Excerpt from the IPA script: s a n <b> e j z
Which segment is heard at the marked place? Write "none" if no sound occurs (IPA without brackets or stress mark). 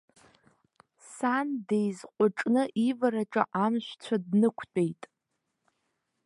d